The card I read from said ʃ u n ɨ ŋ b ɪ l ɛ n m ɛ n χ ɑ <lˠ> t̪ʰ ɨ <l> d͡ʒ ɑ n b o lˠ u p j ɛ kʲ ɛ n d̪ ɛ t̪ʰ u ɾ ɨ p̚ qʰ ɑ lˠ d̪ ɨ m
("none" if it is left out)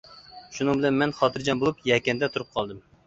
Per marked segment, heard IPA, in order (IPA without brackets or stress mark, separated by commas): none, ɾ